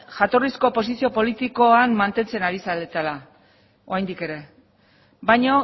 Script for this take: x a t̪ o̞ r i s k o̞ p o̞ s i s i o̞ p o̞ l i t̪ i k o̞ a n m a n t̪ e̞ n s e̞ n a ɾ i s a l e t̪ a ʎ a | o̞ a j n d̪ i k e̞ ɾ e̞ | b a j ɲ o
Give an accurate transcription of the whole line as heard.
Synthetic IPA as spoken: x a t̪ o̞ r i s k o̞ p o̞ s i s i o̞ p o̞ l i t̪ i k o̞ a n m a n t̪ e̞ n t͡s e̞ n a ɾ i s a l e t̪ a l a | o̞ a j n d̪ i k e̞ ɾ e̞ | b a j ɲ o